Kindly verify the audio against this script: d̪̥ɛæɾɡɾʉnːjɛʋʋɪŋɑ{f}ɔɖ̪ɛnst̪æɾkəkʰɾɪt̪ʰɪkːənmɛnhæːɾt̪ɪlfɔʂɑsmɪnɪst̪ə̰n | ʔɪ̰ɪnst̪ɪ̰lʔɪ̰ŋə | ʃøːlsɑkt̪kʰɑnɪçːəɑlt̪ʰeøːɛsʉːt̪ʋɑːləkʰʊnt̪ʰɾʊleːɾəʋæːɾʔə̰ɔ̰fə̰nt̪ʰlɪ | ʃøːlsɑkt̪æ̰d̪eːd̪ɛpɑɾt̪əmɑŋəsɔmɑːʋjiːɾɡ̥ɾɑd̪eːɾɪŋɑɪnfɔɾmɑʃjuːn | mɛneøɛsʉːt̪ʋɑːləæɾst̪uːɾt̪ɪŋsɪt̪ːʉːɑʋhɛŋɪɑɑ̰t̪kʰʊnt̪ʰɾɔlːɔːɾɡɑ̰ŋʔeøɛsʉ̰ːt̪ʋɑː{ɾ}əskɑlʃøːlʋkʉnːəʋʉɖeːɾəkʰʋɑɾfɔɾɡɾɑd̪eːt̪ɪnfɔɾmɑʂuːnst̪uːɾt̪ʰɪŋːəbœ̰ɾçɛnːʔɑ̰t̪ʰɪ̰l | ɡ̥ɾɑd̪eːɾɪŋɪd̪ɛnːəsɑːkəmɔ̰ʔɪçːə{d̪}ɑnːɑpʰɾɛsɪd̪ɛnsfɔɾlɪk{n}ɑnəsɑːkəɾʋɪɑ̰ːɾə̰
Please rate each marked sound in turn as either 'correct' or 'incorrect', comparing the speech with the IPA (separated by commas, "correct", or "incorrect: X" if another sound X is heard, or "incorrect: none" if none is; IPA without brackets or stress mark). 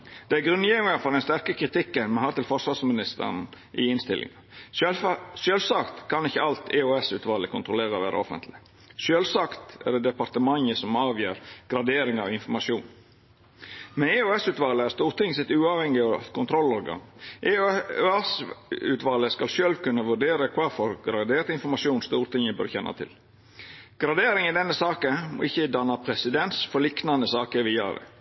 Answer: correct, incorrect: l, correct, correct